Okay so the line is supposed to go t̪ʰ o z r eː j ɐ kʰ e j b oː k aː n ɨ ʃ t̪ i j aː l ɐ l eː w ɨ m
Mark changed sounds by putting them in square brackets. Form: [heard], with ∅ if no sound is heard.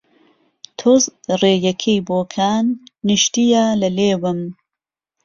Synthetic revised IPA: t̪ʰ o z r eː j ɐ kʰ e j b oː [kʰ] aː [nː] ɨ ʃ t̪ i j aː l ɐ l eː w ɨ m